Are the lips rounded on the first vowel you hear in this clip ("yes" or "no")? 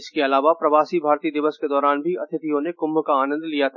no